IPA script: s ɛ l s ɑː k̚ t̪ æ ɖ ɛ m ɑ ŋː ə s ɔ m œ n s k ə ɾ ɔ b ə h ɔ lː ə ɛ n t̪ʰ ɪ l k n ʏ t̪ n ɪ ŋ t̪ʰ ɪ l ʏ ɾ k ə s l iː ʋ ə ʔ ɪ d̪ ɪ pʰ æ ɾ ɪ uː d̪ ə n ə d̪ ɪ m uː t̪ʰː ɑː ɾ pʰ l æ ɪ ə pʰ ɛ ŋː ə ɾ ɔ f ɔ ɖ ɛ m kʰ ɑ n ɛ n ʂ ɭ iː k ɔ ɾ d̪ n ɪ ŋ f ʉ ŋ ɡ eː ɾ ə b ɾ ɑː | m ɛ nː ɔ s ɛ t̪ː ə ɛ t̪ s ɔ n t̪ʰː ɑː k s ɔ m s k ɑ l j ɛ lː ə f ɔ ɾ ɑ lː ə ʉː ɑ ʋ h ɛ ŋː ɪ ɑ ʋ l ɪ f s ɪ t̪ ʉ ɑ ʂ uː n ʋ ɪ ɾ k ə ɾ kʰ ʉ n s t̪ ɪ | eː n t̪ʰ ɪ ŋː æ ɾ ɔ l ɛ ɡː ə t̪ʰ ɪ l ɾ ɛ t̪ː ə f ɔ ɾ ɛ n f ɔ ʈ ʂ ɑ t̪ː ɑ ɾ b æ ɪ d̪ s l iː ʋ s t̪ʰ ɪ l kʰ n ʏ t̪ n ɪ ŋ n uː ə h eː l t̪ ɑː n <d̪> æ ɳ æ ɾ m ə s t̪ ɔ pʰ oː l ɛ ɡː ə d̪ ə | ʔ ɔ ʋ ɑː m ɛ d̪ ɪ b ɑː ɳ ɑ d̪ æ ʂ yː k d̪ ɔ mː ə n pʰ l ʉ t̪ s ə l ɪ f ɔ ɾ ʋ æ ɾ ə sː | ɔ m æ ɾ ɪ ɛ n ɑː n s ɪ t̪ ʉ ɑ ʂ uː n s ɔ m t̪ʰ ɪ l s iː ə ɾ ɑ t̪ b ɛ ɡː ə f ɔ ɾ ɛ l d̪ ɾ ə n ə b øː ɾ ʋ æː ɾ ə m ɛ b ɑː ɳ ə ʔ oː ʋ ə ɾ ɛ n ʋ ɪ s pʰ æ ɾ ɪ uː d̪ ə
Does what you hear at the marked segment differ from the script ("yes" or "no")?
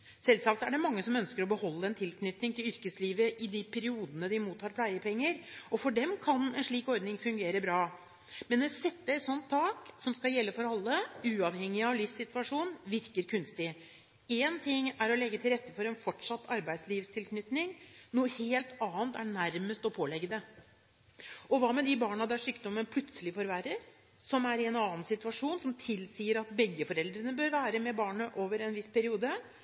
yes